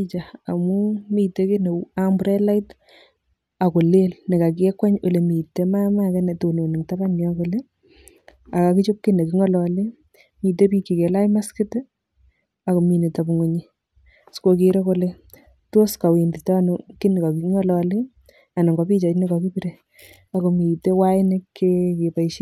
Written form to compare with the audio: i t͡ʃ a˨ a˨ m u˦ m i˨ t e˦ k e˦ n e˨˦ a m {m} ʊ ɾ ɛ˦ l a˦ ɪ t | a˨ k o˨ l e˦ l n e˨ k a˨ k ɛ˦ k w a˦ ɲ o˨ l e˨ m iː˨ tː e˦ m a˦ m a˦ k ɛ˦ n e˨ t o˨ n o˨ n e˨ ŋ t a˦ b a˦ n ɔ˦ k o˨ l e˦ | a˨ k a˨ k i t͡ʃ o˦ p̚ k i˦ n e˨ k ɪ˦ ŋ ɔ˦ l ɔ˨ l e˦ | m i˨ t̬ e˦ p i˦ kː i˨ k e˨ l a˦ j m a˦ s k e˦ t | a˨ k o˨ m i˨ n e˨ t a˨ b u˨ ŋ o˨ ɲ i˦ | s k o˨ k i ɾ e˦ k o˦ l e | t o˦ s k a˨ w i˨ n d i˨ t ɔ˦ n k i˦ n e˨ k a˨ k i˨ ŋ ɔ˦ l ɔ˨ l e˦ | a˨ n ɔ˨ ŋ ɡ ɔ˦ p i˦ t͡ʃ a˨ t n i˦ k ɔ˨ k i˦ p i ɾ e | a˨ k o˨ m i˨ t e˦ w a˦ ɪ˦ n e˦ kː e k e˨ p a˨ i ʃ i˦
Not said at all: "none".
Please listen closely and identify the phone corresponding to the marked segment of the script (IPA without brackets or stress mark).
b